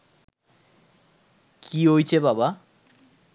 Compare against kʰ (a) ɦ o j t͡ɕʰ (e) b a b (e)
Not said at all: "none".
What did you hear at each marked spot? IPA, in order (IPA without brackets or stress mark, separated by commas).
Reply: i, e, a